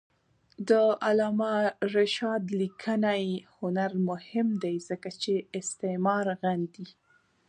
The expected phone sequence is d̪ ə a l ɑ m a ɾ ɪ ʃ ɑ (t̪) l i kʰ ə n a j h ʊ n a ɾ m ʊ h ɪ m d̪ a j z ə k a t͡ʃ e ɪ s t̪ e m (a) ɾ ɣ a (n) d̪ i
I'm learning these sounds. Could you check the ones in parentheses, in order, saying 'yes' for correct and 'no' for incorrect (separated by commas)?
no, no, yes